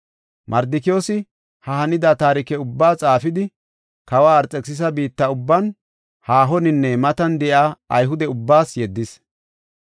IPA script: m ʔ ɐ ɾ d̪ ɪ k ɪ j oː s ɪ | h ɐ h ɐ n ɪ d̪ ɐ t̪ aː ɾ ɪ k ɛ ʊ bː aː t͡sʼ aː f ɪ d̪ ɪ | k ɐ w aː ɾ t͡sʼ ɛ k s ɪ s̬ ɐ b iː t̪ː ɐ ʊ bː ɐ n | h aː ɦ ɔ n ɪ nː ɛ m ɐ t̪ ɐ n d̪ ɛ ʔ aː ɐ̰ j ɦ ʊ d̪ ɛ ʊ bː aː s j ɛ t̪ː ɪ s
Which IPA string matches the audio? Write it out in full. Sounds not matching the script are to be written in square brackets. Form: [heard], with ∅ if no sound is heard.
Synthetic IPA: m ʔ ɐ ɾ d̪ ɪ k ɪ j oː s ɪ | h ɐ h ɐ n ɪ d̪ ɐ t̪ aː ɾ ɪ k ɛ ʊ bː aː t͡sʼ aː f ɪ d̪ ɪ | k ɐ w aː ɾ t͡sʼ ɛ k s ɪ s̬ ɐ b iː t̪ː ɐ ʊ bː ɐ n | h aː ɦ ɔ n ɪ nː ɛ m ɐ t̪ ɐ n d̪ ɛ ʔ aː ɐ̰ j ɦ ʊ d̪ ɛ ʊ bː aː s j ɛ [d̪ː] ɪ s